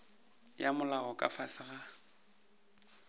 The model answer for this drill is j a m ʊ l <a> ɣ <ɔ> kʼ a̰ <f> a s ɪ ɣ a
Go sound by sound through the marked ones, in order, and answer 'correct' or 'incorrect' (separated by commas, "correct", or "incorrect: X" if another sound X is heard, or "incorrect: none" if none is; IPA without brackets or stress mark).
correct, correct, correct